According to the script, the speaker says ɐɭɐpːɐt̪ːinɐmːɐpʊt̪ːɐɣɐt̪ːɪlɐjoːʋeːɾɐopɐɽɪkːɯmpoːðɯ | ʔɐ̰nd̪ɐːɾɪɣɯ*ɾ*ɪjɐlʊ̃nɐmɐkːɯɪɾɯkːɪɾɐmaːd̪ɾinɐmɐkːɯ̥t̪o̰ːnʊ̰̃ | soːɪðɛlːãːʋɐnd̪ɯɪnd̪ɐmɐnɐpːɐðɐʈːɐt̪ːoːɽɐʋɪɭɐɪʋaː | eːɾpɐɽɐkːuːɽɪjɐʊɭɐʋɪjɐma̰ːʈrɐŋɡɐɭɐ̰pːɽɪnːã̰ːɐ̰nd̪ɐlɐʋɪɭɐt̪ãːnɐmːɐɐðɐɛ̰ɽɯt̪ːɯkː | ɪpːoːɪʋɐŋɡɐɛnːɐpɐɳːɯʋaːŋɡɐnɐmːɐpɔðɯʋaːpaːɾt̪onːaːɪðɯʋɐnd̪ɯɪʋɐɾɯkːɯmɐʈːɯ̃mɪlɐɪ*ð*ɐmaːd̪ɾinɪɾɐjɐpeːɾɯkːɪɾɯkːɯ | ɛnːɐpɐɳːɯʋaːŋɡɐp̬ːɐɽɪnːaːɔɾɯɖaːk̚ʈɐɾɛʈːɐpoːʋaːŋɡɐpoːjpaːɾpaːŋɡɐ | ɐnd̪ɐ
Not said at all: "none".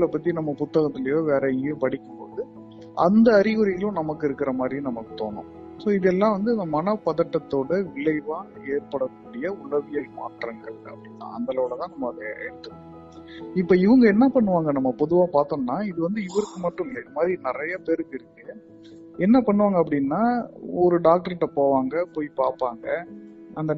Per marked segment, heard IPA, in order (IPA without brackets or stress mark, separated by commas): ɾ, ð